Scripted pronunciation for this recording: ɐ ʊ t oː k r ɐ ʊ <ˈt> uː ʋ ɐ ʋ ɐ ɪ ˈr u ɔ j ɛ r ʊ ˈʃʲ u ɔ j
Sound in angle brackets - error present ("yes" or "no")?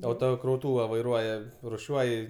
no